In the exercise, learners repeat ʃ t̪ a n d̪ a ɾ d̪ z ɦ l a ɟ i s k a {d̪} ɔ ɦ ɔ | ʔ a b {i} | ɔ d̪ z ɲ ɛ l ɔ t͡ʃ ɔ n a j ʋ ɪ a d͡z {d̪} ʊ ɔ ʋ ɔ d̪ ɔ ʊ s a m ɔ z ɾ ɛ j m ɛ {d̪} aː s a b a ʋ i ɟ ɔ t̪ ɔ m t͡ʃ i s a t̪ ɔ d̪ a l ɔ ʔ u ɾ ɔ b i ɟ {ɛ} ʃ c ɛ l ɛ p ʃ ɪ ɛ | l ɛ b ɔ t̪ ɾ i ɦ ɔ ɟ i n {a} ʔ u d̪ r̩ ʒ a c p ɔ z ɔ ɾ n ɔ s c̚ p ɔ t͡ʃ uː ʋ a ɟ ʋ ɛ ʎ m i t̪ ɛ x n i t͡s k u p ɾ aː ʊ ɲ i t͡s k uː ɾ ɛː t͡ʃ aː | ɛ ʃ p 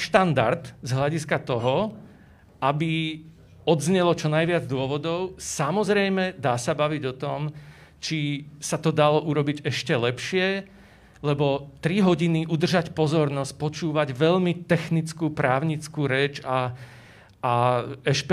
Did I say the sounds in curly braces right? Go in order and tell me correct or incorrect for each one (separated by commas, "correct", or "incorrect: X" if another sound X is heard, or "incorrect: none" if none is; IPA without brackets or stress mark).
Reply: incorrect: t̪, correct, correct, correct, correct, incorrect: i